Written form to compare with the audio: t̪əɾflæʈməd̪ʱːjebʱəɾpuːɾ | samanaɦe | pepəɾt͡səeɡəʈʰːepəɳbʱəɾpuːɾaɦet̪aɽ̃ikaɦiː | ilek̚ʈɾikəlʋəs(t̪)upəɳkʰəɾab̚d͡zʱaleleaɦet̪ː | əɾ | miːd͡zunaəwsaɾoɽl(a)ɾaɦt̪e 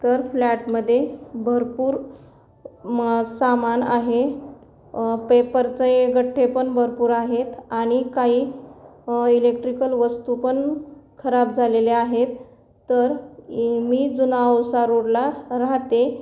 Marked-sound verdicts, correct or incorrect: correct, correct

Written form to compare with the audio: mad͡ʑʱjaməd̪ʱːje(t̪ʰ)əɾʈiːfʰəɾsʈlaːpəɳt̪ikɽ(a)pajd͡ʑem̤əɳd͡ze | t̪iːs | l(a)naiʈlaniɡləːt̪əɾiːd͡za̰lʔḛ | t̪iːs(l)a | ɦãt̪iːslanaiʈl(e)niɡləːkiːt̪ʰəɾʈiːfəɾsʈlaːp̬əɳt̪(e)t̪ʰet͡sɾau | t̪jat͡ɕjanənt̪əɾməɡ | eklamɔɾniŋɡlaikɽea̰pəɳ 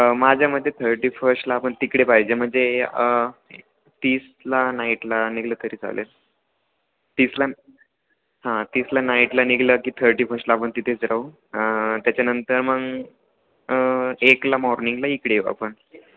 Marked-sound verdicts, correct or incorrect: correct, incorrect, correct, correct, incorrect, incorrect

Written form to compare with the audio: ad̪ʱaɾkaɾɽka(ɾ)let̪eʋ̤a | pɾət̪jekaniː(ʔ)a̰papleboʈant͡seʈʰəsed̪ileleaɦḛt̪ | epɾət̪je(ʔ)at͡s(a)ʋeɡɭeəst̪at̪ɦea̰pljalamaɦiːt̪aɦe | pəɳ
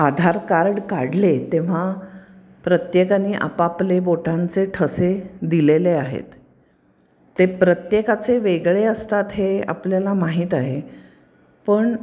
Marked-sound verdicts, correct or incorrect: incorrect, correct, incorrect, incorrect

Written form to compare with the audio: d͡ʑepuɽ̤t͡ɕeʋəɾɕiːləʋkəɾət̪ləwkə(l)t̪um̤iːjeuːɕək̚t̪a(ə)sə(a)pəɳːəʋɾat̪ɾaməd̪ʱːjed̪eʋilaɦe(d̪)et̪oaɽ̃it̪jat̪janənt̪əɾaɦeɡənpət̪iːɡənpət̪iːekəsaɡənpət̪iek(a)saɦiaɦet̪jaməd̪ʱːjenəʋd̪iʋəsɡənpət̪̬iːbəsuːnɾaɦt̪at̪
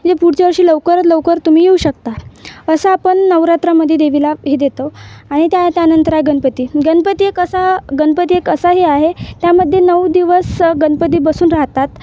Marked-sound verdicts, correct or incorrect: incorrect, correct, correct, correct, incorrect

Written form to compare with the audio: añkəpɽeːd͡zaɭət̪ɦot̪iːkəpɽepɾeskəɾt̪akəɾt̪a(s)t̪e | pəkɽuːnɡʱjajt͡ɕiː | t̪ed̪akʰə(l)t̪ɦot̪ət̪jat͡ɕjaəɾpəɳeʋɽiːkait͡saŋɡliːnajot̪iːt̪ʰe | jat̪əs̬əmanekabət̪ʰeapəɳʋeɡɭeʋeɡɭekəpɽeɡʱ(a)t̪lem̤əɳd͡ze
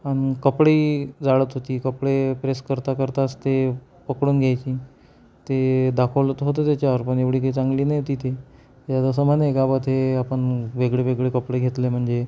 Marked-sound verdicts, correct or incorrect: correct, correct, incorrect

